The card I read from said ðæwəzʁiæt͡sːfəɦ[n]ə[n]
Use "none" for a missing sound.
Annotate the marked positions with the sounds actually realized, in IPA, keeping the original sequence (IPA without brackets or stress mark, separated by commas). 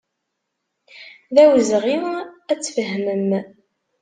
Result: m, m